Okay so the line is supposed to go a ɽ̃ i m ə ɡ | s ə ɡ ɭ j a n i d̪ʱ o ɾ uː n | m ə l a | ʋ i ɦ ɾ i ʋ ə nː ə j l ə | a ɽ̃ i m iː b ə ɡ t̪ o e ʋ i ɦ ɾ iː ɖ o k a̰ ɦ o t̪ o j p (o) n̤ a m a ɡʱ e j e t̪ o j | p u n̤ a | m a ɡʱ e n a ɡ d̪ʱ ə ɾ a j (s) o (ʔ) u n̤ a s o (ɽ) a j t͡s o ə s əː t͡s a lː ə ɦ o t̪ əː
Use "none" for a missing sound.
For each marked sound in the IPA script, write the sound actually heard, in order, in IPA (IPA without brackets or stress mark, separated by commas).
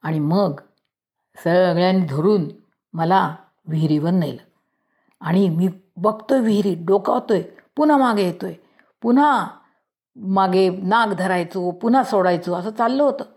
u, t͡s, p, ɽ